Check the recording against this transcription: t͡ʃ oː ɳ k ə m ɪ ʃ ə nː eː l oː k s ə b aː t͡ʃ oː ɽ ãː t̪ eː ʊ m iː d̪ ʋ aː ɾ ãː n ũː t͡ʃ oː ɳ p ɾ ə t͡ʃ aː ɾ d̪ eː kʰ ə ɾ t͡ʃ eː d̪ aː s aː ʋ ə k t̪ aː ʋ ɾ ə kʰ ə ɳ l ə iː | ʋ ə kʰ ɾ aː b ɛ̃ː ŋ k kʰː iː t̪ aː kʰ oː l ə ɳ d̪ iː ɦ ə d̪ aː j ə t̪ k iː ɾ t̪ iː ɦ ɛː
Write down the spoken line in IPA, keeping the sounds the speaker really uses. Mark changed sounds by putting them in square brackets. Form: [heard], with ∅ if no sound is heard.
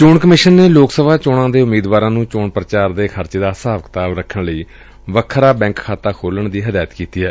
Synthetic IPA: t͡ʃ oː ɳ k ə m ɪ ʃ ə nː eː l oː k s ə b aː t͡ʃ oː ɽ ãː [d̪] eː ʊ m iː d̪ ʋ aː ɾ ãː n ũː t͡ʃ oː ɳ p ɾ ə t͡ʃ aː ɾ d̪ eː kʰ ə ɾ t͡ʃ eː d̪ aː s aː ʋ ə k t̪ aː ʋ ɾ ə kʰ ə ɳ l ə iː | ʋ ə kʰ ɾ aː b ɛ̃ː ŋ k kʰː [aː] t̪ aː kʰ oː l ə ɳ d̪ iː ɦ ə d̪ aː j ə t̪ k iː [∅] t̪ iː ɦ ɛː